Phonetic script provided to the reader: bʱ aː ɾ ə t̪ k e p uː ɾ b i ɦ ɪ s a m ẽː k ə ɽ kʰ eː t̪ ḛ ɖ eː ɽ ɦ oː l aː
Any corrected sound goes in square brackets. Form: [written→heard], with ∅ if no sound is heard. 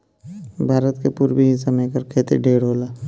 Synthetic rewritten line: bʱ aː ɾ ə t̪ k e p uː ɾ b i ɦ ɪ s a m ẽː k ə [ɽ→ɾ] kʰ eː t̪ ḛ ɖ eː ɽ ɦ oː l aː